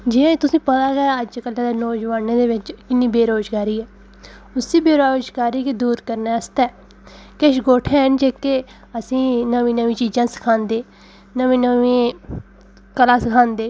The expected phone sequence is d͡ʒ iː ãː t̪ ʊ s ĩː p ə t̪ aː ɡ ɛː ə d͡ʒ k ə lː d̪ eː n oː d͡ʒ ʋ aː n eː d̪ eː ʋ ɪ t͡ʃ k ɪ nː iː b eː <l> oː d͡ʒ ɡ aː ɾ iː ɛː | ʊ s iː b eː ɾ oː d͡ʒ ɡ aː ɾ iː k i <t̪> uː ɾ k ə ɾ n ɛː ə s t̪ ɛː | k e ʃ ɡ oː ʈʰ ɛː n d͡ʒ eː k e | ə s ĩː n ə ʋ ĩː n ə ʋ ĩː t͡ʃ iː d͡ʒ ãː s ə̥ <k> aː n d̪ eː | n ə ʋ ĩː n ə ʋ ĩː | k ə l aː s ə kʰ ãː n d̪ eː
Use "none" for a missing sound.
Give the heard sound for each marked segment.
ɾ, d̪, kʰ

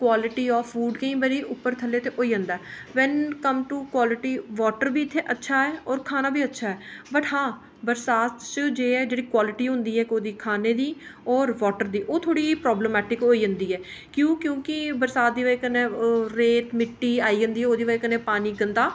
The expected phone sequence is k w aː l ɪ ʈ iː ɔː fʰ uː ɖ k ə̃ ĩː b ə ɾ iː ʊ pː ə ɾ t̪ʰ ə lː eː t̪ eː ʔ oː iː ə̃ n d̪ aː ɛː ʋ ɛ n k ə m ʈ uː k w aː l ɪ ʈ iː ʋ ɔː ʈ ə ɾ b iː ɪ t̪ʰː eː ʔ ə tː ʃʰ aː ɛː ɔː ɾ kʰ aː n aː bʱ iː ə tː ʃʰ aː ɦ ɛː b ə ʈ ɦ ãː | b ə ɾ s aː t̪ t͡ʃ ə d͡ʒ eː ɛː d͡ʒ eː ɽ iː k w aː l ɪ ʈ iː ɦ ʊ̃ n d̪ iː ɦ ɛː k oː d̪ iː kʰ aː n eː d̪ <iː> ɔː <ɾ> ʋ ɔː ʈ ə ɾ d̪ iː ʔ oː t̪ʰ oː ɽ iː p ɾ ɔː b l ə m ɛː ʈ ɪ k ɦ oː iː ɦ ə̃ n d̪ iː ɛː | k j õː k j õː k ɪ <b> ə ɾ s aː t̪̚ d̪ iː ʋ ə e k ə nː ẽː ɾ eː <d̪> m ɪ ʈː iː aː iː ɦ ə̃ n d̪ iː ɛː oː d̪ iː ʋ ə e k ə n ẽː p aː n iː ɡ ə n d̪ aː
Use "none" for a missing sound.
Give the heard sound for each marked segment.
iː, ɾ, b, t̪

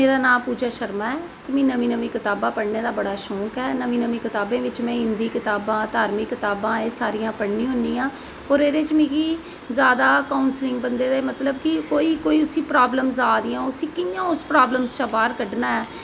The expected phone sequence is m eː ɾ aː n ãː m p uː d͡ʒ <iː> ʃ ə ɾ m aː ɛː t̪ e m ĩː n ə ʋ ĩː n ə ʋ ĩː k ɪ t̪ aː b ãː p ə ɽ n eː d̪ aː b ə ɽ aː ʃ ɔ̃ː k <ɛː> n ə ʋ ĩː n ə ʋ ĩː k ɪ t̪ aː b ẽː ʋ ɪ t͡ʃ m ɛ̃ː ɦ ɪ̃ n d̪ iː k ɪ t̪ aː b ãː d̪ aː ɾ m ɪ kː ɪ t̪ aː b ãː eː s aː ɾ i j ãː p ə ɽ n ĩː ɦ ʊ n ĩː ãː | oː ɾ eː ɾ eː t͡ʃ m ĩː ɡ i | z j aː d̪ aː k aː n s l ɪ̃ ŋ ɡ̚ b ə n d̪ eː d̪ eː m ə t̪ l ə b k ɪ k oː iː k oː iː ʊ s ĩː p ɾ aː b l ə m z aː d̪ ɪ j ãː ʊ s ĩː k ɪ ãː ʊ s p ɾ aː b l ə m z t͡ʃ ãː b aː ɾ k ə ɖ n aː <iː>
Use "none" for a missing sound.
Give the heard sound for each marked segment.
aː, ɛː, ɛː

